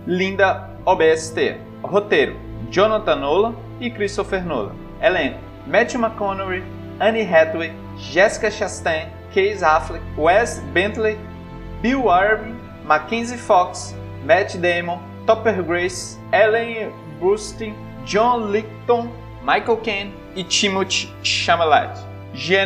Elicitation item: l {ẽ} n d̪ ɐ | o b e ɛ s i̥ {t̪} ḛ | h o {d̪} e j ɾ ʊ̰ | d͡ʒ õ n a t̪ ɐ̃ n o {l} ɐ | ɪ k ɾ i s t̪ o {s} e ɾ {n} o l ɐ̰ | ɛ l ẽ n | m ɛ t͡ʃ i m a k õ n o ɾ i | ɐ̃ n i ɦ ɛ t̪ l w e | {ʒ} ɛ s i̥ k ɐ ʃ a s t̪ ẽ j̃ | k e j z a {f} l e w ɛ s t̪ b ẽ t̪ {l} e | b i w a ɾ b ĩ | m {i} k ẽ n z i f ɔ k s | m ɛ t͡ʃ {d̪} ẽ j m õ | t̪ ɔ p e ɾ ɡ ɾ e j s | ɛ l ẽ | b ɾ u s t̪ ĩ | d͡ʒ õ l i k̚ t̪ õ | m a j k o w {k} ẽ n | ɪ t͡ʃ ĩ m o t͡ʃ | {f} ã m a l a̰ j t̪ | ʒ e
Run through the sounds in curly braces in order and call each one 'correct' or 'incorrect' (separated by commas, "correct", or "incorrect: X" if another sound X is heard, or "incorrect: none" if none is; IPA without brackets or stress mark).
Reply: incorrect: ĩ, correct, incorrect: t̪, correct, incorrect: f, correct, correct, correct, correct, incorrect: a, correct, correct, incorrect: ʃ